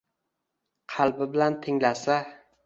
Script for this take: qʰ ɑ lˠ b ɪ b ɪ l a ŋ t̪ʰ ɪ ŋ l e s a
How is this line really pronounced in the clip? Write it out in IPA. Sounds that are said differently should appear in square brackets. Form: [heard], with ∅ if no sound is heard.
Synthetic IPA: qʰ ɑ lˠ b ɪ b ɪ l a [n] t̪ʰ ɪ ŋ l [a] s a